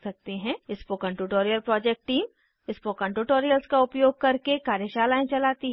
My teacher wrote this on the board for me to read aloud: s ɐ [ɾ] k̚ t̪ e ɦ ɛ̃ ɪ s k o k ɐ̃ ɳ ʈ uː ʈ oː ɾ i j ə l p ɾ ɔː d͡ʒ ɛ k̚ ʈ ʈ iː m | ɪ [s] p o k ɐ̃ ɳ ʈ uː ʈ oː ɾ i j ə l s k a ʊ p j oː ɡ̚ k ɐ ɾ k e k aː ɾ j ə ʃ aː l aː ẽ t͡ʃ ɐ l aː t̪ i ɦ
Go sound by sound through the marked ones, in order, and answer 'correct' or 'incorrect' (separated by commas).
incorrect, correct